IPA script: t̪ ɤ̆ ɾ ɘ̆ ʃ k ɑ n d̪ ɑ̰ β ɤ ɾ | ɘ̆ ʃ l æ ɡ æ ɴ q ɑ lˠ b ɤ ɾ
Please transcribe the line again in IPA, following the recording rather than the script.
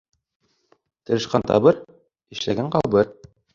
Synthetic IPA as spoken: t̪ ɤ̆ ɾ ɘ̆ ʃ q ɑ n t̪ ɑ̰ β ɤ ɾ | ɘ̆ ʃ l æ ɡ æ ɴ q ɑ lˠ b ɤ ɾ